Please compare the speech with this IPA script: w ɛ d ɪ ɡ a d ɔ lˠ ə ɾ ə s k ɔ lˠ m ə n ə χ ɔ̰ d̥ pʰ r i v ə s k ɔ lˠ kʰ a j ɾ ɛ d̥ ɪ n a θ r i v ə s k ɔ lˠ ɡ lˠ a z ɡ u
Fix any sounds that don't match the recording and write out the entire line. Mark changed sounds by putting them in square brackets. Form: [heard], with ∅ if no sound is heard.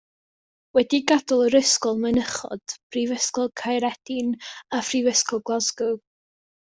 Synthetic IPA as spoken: w ɛ d [i] ɡ a d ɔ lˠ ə ɾ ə s k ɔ lˠ m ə n ə χ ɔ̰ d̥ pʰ r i v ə s k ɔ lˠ kʰ a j ɾ ɛ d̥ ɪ n a [f] r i v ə s k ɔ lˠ ɡ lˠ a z ɡ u